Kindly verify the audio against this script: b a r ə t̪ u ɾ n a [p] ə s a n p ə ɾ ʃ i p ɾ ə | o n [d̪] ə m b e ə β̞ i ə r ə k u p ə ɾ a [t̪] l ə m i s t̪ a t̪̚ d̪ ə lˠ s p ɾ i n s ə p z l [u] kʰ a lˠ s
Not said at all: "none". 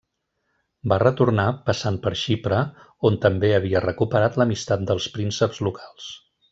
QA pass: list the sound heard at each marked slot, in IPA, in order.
p, t̪, t̪, u

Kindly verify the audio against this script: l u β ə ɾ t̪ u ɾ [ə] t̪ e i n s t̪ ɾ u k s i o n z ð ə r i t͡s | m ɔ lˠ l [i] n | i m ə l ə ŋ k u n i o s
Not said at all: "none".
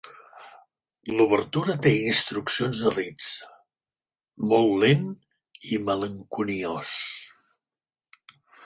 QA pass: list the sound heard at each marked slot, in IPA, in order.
ə, e

